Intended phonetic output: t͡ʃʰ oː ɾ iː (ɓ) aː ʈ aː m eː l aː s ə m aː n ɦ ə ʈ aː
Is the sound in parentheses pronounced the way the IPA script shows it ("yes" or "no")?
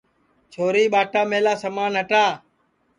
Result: yes